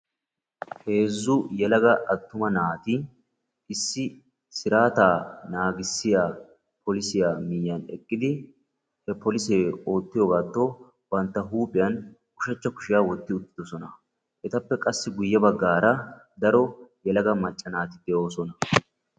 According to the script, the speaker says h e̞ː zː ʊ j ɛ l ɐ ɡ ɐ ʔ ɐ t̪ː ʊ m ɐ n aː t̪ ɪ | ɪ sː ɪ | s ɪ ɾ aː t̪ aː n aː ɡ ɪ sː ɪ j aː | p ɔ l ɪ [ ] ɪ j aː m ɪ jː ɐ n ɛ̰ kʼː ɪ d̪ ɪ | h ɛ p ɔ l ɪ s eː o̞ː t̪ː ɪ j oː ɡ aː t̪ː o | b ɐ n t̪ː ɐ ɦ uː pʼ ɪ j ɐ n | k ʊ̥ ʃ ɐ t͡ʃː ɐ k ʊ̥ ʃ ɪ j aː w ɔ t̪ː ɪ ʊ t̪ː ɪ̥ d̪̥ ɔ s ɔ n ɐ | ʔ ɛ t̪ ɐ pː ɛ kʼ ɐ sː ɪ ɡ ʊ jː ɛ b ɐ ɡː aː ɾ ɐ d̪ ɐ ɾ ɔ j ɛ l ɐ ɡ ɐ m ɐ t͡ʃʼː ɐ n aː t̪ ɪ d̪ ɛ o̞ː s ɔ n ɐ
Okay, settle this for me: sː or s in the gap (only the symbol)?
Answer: s